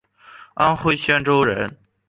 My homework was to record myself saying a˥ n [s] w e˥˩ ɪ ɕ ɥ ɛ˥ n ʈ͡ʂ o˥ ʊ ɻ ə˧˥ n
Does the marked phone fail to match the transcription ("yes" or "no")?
yes